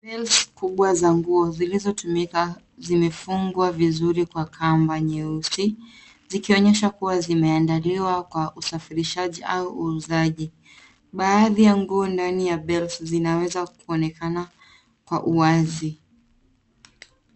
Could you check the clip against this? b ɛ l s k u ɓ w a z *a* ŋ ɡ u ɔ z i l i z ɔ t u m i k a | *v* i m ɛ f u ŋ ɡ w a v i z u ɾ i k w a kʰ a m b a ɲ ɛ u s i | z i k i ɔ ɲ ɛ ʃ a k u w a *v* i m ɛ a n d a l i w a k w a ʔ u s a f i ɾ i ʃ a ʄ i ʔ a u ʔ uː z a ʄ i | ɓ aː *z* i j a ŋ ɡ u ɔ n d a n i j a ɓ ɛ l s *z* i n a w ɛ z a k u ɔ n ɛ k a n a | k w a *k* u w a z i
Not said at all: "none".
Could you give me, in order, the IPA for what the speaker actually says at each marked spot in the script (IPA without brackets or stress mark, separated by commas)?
a, z, z, ð, z, ʔ